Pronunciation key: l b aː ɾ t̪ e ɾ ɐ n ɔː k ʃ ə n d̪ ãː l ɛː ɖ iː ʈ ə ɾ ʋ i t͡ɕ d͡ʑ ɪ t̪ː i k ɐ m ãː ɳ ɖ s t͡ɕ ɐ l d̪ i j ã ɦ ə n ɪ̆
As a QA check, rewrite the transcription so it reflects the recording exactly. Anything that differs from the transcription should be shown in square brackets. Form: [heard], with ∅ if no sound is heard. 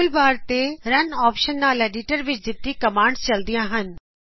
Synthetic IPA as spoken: l b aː ɾ t̪ e ɾ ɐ n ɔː [p] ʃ ə n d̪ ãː l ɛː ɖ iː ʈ ə ɾ ʋ [ɪ] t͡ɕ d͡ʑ ɪ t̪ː i k ɐ m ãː ɳ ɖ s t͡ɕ ɐ l d̪ i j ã ɦ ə n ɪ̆